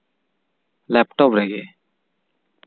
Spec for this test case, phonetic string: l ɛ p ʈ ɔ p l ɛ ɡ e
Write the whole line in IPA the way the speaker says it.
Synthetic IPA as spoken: l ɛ p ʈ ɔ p ɾ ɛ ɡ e

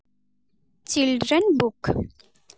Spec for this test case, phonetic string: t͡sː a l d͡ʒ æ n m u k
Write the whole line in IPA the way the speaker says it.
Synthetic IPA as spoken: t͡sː i l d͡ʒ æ n b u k

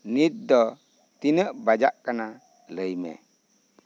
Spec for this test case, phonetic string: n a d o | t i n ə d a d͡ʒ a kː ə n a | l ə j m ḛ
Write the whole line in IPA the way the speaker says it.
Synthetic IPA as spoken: n i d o | t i n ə b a d͡ʒ a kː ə n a | l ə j m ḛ

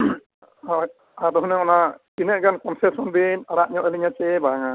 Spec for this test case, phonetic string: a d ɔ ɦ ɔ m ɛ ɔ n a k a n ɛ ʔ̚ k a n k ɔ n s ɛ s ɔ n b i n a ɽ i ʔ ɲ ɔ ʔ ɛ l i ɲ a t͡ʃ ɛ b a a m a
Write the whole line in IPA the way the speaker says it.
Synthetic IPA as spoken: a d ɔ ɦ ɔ n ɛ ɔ n a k i n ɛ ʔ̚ ɡ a n k ɔ n s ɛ s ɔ n b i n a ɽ a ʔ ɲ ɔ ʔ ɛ l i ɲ a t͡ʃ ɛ b a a ŋ a

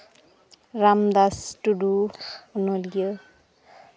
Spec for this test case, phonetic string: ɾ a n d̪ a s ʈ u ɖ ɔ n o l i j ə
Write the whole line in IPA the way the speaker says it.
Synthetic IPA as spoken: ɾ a m d̪ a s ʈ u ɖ u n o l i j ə

